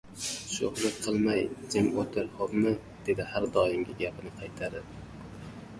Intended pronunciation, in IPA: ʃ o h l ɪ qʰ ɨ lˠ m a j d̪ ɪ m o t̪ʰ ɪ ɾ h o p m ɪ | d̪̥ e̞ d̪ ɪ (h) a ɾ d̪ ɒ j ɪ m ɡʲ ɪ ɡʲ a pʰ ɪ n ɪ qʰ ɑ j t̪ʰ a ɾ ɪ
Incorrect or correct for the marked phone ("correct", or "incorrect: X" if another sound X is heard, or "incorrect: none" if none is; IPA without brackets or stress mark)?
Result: correct